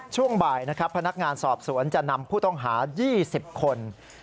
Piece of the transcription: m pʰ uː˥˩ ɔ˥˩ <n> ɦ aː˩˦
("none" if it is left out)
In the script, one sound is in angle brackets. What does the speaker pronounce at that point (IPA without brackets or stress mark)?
ŋ